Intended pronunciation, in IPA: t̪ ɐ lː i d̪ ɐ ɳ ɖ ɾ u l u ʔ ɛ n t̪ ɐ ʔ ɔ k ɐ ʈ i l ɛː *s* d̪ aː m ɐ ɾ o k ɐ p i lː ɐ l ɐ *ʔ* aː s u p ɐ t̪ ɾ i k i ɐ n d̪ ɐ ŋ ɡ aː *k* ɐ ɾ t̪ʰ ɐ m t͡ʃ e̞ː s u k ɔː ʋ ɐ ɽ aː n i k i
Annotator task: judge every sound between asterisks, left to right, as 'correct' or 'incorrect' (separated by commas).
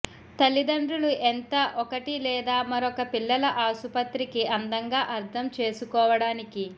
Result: incorrect, correct, incorrect